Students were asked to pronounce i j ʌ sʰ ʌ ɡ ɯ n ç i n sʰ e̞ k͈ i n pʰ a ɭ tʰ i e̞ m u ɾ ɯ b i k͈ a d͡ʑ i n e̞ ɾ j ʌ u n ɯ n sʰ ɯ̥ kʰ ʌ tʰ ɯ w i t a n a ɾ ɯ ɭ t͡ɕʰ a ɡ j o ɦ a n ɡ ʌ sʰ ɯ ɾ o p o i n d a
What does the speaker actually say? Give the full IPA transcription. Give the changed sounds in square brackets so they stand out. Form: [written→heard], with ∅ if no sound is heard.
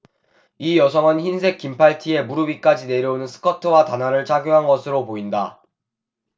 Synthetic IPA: i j ʌ sʰ ʌ [ɡ→ŋ] ɯ n ç i n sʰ e̞ k͈ i [n→m] pʰ a ɭ tʰ i e̞ m u ɾ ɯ b i k͈ a d͡ʑ i n e̞ ɾ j ʌ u n ɯ n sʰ ɯ̥ kʰ ʌ tʰ ɯ w [i→a] t a n a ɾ ɯ ɭ t͡ɕʰ a ɡ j o ɦ a n ɡ ʌ sʰ ɯ ɾ o p o i n d a